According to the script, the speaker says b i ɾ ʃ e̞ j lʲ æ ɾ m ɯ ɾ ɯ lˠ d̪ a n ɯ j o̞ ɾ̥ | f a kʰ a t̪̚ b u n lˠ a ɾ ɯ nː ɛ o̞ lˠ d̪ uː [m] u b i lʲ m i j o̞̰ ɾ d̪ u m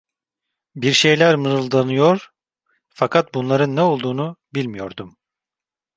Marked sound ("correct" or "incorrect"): incorrect